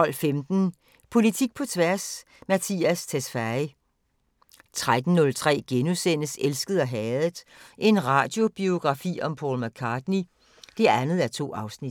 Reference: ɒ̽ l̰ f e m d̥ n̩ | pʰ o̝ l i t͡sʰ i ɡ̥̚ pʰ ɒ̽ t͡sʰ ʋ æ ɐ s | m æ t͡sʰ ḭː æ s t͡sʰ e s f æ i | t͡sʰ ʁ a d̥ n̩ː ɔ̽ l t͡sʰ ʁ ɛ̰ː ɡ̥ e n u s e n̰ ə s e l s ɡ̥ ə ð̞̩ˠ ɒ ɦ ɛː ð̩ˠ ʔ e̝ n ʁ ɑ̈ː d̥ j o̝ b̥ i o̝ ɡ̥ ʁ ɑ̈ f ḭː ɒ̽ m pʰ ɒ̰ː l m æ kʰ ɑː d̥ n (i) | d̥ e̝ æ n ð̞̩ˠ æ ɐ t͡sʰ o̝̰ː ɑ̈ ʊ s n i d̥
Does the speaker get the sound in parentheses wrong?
no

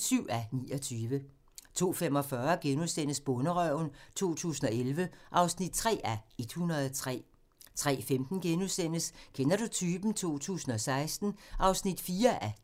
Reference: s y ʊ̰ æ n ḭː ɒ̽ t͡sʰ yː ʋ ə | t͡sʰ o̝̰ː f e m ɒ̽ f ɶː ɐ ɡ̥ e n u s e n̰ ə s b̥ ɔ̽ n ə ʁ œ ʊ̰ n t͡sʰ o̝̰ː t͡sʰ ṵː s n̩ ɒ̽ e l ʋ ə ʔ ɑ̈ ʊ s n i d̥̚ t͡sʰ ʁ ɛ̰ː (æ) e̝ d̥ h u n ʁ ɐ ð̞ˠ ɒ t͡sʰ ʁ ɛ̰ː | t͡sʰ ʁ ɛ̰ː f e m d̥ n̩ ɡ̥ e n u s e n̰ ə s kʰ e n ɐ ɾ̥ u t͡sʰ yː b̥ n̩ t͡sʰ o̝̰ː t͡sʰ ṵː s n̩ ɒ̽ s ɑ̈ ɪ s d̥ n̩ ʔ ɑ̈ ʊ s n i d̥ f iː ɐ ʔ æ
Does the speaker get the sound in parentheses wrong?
no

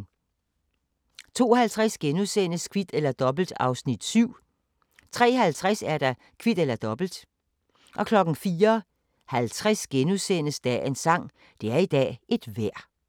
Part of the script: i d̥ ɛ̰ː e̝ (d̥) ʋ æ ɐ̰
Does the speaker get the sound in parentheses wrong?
no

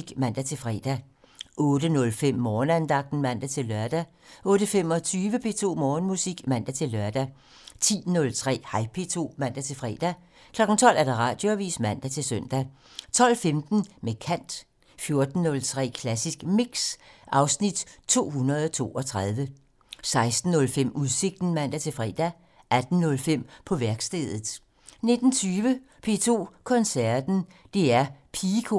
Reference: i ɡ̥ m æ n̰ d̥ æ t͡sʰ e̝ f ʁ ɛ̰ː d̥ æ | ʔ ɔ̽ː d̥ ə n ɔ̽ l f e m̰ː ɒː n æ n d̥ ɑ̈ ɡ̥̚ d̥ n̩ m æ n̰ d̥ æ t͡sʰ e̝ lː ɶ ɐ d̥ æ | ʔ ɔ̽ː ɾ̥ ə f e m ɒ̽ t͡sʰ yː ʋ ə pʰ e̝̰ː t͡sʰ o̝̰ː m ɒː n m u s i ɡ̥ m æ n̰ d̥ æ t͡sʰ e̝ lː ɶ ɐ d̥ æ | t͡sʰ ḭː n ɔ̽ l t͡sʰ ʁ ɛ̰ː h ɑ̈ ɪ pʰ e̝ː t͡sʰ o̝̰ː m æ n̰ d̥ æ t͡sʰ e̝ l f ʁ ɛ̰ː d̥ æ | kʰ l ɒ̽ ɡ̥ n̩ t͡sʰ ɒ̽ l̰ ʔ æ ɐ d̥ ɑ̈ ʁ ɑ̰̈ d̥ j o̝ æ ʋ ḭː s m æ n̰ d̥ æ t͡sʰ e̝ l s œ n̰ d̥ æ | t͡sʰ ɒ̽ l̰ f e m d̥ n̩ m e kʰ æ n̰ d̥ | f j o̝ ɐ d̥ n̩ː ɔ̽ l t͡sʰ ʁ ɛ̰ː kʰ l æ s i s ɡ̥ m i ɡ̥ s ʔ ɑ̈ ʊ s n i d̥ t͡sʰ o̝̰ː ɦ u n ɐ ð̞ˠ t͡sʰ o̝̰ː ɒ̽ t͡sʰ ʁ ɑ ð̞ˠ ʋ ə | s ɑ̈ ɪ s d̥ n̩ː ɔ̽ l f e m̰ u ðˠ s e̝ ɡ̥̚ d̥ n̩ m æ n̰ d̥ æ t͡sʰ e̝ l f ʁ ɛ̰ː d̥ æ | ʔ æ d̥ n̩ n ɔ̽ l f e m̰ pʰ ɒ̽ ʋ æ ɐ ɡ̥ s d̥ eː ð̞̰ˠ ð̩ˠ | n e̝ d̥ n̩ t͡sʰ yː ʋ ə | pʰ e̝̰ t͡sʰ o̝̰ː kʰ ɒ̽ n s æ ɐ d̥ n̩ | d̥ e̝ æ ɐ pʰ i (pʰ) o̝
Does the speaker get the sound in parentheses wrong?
yes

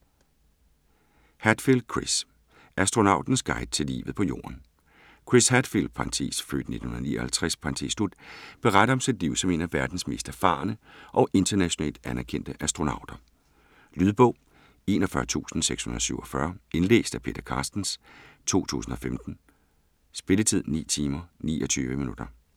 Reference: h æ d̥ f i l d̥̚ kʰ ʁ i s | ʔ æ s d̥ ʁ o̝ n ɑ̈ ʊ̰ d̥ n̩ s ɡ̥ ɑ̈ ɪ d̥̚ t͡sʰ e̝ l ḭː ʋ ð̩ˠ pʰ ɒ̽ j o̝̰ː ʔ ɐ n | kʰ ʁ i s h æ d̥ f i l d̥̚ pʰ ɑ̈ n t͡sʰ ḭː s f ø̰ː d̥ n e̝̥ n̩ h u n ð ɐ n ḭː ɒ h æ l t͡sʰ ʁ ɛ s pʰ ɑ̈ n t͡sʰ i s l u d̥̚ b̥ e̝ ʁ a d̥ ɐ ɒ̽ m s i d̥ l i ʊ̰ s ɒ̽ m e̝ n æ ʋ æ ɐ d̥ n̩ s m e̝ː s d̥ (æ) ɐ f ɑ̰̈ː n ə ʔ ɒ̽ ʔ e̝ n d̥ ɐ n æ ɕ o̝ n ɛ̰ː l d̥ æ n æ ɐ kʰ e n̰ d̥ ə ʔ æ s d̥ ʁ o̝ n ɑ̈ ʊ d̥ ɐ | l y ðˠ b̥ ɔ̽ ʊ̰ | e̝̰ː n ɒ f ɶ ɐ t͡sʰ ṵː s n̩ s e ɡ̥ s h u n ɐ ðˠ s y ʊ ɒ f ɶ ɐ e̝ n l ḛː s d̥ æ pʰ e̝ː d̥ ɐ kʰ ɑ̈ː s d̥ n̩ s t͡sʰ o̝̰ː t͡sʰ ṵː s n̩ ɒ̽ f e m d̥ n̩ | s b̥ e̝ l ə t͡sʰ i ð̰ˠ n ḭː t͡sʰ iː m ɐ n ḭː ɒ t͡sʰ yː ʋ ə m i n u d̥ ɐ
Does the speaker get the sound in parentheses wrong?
no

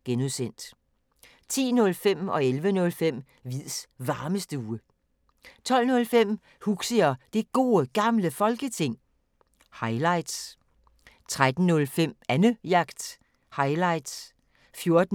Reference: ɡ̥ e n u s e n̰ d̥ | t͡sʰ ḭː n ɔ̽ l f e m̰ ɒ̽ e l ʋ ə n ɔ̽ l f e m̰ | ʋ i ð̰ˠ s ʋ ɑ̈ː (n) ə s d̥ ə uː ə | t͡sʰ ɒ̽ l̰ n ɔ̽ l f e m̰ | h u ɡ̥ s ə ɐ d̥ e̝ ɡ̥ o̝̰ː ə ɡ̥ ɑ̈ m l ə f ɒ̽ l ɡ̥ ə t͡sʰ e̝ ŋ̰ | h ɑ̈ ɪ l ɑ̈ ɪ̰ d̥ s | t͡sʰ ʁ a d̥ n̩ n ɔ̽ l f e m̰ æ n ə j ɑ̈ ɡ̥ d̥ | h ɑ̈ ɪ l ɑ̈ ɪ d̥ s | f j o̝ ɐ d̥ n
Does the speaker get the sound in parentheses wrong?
yes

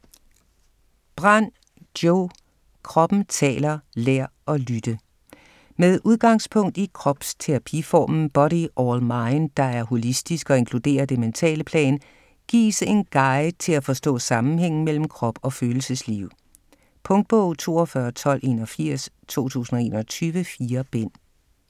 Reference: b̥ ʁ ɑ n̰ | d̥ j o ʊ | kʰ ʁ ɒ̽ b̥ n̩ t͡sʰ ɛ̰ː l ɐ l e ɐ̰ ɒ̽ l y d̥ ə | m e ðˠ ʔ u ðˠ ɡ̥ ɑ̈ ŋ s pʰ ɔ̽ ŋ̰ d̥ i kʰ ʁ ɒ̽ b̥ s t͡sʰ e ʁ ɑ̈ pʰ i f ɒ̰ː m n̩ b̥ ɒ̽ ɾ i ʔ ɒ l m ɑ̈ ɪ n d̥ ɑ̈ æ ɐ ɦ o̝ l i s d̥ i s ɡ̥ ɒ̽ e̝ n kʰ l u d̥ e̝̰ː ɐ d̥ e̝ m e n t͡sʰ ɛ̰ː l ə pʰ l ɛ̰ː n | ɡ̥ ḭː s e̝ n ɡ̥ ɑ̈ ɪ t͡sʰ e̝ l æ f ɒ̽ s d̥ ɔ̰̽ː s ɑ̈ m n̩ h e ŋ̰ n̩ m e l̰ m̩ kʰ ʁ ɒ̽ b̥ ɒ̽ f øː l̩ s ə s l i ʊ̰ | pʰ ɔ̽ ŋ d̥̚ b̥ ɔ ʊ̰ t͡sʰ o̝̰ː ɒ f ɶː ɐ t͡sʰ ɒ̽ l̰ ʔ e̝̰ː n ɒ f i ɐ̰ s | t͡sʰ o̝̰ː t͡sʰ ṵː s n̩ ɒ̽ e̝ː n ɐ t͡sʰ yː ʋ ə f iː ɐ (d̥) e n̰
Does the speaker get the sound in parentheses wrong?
yes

